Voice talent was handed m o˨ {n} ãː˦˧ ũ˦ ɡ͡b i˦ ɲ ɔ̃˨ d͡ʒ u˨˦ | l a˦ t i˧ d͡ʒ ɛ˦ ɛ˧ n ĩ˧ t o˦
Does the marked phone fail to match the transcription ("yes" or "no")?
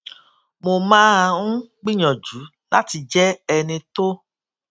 yes